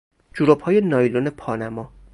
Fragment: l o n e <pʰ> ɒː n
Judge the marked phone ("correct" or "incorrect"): correct